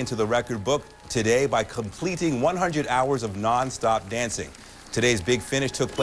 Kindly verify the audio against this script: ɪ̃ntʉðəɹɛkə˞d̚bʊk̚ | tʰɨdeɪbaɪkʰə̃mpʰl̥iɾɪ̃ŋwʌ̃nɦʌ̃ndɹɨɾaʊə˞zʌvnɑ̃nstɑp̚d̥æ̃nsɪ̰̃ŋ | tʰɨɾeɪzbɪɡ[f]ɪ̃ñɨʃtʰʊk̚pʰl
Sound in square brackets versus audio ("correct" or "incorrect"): correct